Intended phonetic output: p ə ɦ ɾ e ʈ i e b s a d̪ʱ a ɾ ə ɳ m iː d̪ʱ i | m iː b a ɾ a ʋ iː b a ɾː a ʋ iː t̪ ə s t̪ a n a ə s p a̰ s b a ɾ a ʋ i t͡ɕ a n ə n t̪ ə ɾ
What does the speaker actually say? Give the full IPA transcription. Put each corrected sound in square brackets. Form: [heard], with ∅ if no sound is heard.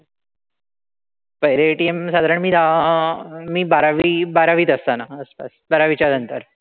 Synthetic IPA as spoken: p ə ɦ ɾ e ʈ i e [m] s a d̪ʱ a ɾ ə ɳ m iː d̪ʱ [a] | m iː b a ɾ a ʋ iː b a [ɾ] a ʋ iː t̪ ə s t̪ a n a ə s p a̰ s b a ɾ a ʋ i t͡ɕ a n ə n t̪ ə ɾ